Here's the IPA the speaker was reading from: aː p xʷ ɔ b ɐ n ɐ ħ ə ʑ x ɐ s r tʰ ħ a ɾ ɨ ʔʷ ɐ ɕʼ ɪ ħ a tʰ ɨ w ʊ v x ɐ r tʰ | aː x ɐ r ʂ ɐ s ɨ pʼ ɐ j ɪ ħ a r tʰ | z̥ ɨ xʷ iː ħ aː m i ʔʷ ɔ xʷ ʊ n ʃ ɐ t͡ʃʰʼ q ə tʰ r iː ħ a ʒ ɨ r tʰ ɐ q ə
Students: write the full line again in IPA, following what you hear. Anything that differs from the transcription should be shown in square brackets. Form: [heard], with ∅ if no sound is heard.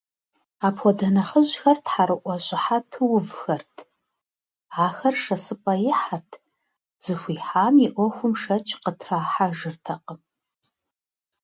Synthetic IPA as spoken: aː p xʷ ɔ [d] ɐ n ɐ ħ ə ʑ x ɐ [∅] r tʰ ħ a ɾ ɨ ʔʷ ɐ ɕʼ ɪ ħ a tʰ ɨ w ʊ v x ɐ r tʰ | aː x ɐ r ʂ ɐ s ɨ pʼ ɐ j ɪ ħ a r tʰ | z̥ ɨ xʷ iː ħ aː m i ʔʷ ɔ xʷ ʊ [m] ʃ ɐ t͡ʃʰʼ q ə tʰ r [aː] ħ a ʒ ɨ r tʰ ɐ q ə